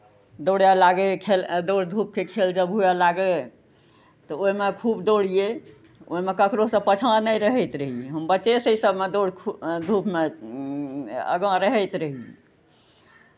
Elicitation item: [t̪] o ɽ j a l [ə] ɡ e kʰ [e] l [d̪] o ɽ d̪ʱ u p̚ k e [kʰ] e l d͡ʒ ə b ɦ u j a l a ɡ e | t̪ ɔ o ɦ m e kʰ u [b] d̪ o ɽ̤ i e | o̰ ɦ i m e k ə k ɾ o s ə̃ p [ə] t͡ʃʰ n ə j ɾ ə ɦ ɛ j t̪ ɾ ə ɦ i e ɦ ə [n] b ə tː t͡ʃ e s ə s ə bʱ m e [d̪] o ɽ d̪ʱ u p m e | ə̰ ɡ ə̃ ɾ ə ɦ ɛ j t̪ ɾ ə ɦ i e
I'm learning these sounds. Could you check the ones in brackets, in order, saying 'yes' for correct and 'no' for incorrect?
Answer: no, no, yes, yes, yes, yes, yes, no, yes

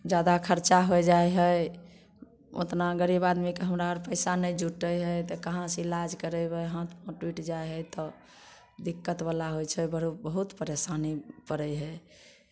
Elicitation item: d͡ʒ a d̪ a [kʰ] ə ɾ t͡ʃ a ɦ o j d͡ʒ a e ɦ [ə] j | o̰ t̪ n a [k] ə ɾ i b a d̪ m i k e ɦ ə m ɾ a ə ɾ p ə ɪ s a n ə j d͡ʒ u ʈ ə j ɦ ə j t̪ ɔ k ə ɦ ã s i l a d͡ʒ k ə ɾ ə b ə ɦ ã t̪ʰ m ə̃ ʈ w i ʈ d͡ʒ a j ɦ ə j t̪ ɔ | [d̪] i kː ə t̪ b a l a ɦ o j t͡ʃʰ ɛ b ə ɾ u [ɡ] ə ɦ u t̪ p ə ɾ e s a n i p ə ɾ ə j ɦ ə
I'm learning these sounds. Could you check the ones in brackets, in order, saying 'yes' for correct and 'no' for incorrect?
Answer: yes, yes, no, yes, no

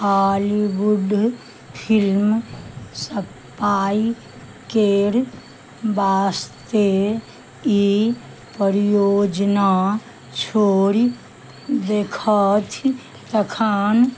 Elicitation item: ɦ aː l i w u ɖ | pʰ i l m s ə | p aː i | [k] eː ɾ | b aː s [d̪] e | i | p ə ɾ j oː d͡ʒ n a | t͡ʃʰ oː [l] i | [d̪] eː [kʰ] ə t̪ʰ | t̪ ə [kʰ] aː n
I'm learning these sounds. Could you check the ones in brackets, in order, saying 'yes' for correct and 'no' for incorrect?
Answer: yes, no, no, yes, yes, yes

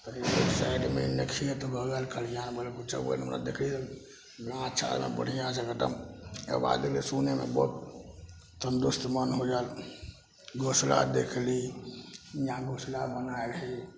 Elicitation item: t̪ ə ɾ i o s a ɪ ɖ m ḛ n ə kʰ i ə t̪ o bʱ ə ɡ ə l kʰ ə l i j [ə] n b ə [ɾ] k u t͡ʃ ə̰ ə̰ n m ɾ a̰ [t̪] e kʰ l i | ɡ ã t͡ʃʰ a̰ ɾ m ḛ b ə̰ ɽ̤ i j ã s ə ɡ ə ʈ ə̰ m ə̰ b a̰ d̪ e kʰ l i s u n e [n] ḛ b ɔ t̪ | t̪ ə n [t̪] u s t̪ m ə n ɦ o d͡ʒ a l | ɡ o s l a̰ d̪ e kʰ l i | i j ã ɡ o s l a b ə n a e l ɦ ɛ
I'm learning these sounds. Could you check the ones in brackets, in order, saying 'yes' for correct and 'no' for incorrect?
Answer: no, no, no, no, no

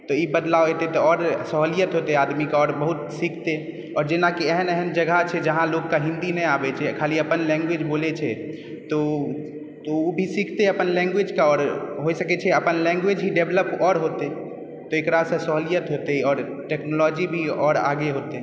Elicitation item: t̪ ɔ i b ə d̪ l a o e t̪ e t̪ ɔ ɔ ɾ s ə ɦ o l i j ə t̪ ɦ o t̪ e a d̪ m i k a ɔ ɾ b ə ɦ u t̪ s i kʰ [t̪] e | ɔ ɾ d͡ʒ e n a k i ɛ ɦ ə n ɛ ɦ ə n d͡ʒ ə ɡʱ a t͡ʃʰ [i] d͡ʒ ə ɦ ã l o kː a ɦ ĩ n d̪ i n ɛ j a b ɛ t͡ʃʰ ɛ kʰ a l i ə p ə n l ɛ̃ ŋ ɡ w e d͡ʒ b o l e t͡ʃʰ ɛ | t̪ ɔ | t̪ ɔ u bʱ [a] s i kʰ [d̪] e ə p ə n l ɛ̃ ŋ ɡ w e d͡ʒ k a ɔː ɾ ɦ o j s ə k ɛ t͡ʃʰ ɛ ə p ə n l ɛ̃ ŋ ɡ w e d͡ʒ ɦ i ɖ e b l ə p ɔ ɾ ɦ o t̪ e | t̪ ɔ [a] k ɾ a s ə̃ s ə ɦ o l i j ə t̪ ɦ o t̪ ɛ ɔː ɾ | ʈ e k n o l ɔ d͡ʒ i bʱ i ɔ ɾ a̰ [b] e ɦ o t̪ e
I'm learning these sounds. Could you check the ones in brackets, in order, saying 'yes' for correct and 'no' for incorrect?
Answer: yes, no, no, no, no, no

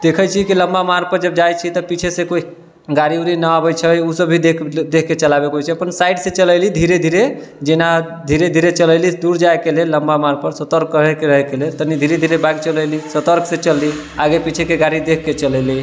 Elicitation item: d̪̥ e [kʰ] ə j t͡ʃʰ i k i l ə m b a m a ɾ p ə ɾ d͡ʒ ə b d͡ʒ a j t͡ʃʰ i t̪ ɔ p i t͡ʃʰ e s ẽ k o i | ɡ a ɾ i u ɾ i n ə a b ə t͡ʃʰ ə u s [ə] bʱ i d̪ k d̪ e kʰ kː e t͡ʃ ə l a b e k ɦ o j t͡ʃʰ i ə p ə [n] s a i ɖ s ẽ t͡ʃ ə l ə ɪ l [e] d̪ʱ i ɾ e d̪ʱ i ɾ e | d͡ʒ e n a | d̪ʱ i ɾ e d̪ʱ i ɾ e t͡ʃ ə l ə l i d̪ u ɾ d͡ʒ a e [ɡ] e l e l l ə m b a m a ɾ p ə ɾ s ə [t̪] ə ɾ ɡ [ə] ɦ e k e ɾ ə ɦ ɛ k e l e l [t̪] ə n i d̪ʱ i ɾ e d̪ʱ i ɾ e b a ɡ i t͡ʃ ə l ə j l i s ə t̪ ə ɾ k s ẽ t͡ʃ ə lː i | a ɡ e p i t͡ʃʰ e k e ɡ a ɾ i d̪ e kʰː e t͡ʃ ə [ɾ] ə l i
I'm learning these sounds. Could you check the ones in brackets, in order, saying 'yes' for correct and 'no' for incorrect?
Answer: yes, yes, yes, no, no, yes, yes, yes, no

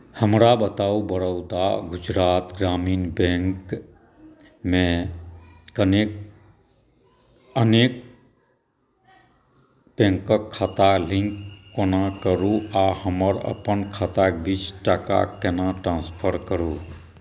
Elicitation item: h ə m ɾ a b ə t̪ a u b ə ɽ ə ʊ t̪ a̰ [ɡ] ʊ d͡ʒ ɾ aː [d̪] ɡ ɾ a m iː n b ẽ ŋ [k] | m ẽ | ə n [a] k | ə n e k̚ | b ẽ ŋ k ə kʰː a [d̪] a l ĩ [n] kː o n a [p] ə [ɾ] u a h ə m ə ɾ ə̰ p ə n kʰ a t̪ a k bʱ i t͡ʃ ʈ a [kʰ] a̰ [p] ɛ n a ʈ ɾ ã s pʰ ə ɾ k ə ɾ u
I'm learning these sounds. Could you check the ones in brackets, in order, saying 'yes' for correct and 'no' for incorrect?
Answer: yes, no, yes, no, no, no, no, yes, no, no

